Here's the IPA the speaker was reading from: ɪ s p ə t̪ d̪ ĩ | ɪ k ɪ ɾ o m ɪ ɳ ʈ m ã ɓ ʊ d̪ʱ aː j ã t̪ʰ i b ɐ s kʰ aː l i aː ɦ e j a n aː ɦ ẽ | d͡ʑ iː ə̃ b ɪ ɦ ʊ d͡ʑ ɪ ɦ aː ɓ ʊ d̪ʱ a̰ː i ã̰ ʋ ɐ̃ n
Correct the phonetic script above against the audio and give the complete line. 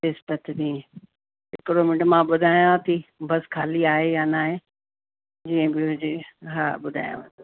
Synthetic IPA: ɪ s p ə t̪ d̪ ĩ | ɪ k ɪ ɾ o m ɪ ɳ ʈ m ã ɓ ʊ d̪ʱ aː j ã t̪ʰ i b ɐ s kʰ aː l i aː ɦ e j a n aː ɦ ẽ | d͡ʑ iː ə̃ b ɪ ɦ ʊ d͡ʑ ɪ ɦ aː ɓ ʊ d̪ʱ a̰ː j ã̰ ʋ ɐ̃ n